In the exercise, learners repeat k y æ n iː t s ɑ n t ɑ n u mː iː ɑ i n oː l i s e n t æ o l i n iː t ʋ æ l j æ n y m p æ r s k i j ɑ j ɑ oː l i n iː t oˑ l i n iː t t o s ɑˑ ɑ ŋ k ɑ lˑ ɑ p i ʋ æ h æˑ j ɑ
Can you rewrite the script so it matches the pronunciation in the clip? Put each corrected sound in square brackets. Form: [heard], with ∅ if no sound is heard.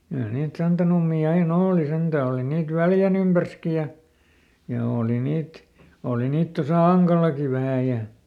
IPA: k y æ n iː t s ɑ n t ɑ n u mː iː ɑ i n oː l i s e n t æ o l i n iː t ʋ æ l j æ n y m p æ r s k i j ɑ j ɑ oː l i n iː t oˑ l i n iː t t o s ɑˑ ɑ ŋ k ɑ lˑ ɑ [k] i ʋ æ h æˑ j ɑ